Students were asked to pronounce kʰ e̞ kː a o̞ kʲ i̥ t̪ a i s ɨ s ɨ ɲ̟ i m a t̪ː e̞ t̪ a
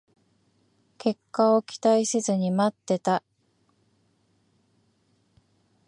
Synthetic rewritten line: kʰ e̞ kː a o̞ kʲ i̥ t̪ a i s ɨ z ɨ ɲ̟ i m a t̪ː e̞ t̪ a